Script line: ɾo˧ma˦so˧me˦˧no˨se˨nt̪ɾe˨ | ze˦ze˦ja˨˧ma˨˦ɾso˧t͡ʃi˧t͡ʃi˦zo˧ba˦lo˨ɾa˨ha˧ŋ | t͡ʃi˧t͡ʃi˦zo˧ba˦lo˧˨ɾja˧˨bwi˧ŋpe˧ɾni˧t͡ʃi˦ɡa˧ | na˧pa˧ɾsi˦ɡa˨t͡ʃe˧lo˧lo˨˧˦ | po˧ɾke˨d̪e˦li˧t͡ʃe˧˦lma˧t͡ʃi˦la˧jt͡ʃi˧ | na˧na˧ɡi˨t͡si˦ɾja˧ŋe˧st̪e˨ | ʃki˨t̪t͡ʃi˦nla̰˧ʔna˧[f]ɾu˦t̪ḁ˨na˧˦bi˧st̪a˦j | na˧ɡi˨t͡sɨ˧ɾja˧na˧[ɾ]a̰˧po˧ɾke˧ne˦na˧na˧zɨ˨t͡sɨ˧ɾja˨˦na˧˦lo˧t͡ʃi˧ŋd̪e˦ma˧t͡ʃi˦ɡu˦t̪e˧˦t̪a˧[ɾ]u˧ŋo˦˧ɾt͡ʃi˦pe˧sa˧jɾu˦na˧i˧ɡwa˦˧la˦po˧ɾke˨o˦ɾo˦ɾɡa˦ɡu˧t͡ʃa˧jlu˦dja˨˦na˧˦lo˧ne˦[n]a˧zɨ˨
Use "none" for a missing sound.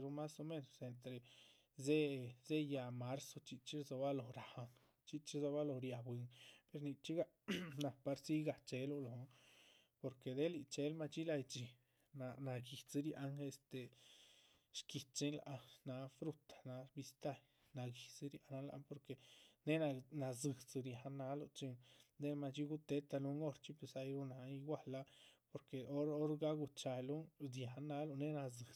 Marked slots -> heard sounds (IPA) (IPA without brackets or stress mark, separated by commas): f, l, l, n